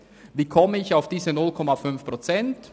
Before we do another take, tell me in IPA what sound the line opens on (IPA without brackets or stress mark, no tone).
v